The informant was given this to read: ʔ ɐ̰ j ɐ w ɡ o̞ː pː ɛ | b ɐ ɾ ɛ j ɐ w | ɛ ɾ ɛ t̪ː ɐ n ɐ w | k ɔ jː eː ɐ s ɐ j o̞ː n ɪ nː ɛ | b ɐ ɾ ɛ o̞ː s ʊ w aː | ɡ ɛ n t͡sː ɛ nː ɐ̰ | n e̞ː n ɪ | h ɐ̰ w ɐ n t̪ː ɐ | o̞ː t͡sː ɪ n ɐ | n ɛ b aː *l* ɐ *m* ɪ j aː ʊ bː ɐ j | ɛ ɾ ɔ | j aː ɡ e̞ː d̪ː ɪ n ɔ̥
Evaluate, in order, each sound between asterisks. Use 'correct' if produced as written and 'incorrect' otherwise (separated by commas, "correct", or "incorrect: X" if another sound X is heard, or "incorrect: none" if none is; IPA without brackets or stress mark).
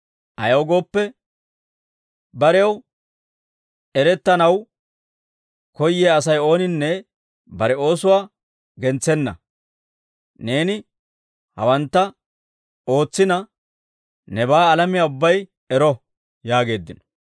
correct, correct